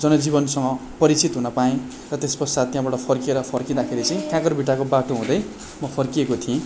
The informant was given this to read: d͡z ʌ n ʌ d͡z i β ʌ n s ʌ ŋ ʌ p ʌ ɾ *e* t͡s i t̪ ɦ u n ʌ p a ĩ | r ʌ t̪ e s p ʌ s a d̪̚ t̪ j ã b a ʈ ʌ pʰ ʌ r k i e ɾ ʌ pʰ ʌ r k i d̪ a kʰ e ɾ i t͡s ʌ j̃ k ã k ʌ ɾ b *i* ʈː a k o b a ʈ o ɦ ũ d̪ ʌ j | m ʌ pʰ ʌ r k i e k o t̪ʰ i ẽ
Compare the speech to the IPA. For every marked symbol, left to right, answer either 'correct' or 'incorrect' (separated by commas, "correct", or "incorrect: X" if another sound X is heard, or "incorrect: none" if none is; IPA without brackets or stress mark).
incorrect: i, correct